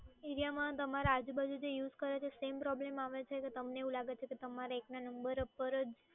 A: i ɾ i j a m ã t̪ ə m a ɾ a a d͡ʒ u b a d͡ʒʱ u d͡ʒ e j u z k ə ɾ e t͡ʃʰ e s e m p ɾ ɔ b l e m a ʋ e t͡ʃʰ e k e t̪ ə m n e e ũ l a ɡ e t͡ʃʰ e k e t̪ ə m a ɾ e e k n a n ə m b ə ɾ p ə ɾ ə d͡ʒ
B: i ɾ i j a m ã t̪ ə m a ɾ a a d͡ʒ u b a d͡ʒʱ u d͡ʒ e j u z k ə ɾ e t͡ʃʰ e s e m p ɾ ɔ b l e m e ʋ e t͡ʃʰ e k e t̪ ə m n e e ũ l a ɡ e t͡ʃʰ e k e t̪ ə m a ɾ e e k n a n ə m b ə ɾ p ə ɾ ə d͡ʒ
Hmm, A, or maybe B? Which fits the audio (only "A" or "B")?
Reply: A